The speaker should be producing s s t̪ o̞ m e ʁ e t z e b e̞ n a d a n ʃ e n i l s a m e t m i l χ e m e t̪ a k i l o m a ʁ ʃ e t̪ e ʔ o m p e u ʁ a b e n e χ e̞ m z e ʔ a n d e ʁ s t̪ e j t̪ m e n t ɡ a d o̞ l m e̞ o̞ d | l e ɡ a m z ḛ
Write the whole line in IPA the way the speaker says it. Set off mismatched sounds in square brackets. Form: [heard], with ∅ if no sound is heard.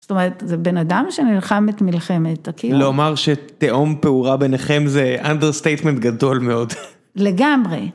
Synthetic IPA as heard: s s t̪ o̞ m e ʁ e t z e b e̞ n a d a [m] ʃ e n i l [χ] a m e t m i l χ e m e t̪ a k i l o m a ʁ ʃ e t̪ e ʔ o m p e u ʁ a b e n e χ e̞ m z e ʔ a n d e ʁ s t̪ e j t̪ m e n t ɡ a d o̞ l m e̞ o̞ d | l e ɡ a m [ʁ] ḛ